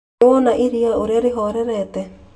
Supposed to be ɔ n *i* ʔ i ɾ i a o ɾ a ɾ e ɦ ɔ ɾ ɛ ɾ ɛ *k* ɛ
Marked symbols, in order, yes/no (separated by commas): no, no